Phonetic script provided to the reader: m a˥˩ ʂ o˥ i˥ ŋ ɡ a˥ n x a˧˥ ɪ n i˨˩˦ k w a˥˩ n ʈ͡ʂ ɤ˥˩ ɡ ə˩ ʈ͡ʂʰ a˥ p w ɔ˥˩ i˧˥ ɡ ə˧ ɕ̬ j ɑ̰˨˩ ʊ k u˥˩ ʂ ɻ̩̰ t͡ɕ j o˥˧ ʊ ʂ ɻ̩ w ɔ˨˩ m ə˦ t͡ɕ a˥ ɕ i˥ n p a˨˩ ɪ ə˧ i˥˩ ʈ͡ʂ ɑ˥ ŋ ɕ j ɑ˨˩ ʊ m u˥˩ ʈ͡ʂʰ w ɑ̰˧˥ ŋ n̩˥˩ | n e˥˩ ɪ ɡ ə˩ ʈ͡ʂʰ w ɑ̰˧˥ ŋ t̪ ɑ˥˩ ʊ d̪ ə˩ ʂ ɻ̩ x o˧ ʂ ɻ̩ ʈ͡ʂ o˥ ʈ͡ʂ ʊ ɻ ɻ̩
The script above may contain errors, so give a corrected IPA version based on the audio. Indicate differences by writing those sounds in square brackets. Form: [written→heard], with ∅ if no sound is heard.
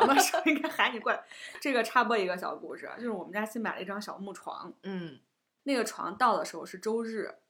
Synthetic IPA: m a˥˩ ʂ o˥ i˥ ŋ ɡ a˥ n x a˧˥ ɪ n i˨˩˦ k w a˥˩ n ʈ͡ʂ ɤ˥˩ ɡ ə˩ ʈ͡ʂʰ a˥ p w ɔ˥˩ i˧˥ ɡ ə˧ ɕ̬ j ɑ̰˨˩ ʊ k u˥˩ ʂ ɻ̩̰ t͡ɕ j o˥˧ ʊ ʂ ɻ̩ w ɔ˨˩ m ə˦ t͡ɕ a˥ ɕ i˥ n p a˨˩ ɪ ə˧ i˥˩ ʈ͡ʂ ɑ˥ ŋ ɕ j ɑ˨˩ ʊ m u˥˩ ʈ͡ʂʰ w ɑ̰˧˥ ŋ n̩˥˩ | n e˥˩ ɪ ɡ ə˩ ʈ͡ʂʰ w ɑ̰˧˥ ŋ t̪ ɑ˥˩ ʊ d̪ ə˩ ʂ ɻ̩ x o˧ ʂ ɻ̩ ʈ͡ʂ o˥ [ʈ͡ʂ→∅] ʊ ɻ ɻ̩